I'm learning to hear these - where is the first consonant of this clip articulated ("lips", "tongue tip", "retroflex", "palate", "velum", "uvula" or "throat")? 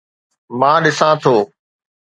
lips